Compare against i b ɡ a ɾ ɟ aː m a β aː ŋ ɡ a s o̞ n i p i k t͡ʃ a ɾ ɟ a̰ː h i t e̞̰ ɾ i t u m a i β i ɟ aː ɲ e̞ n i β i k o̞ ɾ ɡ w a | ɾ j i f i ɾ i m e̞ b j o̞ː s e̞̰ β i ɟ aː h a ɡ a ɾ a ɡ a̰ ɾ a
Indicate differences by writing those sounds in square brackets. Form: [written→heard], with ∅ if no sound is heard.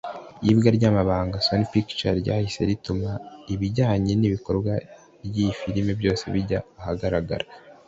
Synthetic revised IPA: i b ɡ a ɾ ɟ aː m a β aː ŋ ɡ a s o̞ n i p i k t͡ʃ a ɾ ɟ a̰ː h i [t→s] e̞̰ ɾ i t u m a i β i ɟ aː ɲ e̞ n i β i k o̞ ɾ ɡ w a | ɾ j i f i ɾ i m e̞ b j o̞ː s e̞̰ β i ɟ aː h a ɡ a ɾ a ɡ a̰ ɾ a